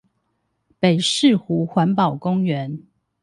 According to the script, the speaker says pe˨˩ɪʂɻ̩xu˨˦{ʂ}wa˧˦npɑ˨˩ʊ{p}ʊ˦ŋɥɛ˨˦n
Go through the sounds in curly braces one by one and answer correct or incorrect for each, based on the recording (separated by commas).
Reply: incorrect, incorrect